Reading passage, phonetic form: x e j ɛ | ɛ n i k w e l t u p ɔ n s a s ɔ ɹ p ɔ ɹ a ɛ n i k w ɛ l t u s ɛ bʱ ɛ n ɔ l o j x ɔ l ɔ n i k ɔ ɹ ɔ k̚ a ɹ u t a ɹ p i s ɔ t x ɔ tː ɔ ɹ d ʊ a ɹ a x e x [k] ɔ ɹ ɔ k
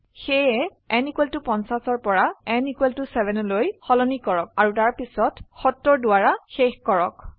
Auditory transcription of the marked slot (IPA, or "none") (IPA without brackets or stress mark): k